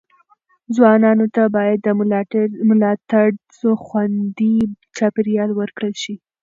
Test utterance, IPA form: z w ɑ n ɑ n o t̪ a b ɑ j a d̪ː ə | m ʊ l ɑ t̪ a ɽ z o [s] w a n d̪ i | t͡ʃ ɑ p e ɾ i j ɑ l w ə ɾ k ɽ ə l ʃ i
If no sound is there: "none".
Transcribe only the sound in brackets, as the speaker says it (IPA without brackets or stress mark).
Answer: x